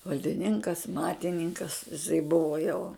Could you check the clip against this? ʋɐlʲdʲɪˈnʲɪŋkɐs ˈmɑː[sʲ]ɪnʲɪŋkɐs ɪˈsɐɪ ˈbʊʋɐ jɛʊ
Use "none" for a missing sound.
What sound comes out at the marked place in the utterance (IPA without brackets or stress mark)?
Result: tʲ